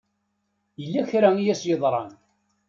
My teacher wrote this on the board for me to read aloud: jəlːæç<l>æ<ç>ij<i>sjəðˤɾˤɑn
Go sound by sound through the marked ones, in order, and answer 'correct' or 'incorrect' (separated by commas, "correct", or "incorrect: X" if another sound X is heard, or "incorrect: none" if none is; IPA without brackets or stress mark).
incorrect: ɾ, incorrect: none, incorrect: æ